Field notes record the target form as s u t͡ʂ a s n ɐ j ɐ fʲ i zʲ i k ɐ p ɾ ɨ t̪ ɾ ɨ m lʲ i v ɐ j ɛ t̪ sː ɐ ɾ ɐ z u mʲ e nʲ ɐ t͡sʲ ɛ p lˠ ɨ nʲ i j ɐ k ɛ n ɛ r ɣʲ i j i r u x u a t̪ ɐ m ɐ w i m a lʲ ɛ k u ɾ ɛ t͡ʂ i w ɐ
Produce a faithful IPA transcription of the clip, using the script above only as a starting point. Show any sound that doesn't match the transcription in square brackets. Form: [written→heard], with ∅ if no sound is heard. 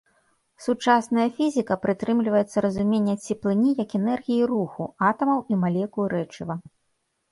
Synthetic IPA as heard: s u t͡ʂ a s n ɐ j ɐ fʲ i zʲ i k ɐ p ɾ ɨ t̪ ɾ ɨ m lʲ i v ɐ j ɛ t̪ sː ɐ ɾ ɐ z u mʲ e [nʲ→nʲː] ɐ t͡sʲ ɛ p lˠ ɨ nʲ i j ɐ k ɛ n ɛ r ɣʲ i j i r u x u a t̪ ɐ m ɐ w i m a lʲ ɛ k u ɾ ɛ t͡ʂ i [w→v] ɐ